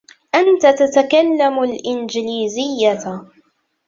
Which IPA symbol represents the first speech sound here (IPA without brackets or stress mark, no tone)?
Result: ʔ